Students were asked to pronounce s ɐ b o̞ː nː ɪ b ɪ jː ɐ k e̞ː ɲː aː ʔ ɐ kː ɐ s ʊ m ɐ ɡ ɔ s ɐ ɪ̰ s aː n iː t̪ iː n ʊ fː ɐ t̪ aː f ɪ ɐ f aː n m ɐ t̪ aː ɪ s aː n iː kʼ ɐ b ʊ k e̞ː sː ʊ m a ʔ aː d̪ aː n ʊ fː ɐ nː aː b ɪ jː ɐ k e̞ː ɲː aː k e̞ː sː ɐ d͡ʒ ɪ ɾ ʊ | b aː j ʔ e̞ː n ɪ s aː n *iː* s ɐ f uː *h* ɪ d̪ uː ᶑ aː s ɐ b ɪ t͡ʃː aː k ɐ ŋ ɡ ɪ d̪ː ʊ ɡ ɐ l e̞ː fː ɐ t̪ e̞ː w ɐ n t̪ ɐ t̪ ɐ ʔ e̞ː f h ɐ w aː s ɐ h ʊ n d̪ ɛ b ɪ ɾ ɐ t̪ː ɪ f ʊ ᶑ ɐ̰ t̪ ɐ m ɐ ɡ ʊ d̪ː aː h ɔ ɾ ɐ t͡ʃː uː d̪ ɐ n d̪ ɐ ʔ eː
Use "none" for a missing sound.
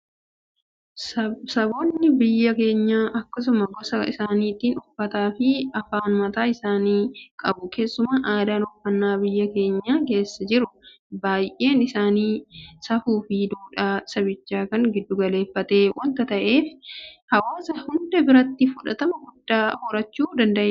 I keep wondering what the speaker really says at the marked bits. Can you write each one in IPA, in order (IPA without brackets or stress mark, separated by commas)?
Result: iː, f